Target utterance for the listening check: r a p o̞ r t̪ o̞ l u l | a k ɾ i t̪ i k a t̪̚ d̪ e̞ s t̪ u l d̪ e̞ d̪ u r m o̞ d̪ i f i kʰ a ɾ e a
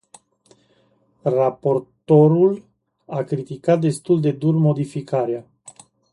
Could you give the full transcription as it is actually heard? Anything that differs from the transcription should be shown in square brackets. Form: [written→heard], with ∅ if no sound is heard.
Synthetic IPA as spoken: r a p o̞ r t̪ o̞ [l→ɾ] u l | a k ɾ i t̪ i k a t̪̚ d̪ e̞ s t̪ u l d̪ e̞ d̪ u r m o̞ d̪ i f i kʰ a ɾ e a